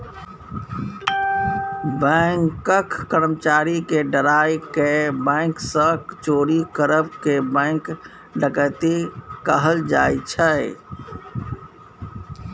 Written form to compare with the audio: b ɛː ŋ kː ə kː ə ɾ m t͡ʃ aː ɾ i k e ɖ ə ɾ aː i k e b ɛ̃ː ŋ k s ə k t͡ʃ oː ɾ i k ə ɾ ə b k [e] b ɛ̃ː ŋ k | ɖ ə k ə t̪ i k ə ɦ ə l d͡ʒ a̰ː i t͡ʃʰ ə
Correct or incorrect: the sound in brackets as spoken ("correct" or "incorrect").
correct